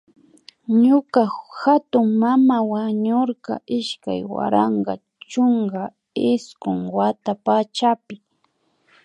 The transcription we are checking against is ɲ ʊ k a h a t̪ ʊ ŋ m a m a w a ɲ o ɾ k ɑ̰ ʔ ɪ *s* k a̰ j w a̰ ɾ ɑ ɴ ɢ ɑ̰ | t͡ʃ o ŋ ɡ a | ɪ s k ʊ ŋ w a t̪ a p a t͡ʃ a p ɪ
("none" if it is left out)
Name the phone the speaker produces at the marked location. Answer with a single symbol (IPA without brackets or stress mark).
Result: ʃ